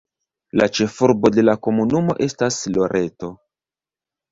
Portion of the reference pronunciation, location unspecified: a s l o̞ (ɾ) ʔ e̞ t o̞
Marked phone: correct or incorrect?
correct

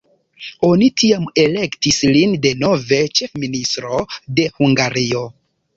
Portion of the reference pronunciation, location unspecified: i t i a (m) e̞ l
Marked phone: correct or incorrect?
correct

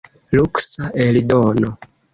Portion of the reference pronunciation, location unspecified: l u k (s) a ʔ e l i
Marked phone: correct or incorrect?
correct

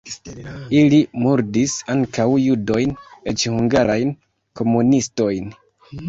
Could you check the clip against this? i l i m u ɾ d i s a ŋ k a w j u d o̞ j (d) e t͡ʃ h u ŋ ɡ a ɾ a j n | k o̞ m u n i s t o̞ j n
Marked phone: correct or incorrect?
incorrect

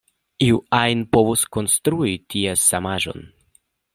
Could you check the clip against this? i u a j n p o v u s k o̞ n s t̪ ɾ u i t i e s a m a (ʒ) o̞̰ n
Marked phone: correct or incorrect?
correct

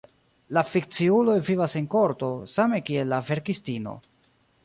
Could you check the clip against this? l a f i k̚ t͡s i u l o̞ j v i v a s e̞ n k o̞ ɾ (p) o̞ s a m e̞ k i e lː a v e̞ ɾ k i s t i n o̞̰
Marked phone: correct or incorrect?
incorrect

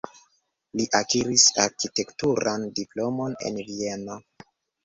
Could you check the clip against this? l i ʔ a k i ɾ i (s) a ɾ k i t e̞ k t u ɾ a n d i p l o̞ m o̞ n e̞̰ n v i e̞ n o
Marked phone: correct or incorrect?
correct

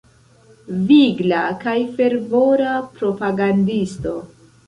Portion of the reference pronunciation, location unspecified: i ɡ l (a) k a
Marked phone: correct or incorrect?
correct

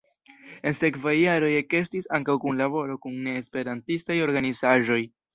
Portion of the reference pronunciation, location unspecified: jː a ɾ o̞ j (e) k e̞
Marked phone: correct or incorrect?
correct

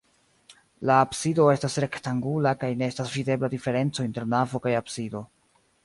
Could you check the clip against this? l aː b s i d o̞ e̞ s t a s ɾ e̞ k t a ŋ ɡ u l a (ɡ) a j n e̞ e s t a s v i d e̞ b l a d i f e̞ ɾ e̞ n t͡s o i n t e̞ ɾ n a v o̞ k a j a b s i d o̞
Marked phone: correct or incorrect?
incorrect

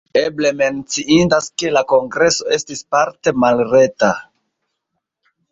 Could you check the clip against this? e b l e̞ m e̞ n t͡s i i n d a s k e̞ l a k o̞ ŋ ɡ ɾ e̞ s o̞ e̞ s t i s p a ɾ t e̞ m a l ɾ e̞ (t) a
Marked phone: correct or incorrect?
correct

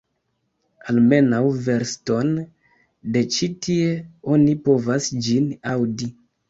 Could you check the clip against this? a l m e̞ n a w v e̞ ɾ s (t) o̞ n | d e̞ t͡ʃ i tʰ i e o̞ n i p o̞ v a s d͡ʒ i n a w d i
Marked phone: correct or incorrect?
correct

